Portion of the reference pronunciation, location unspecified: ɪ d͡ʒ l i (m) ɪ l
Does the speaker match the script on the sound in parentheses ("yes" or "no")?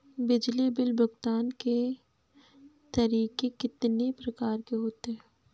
no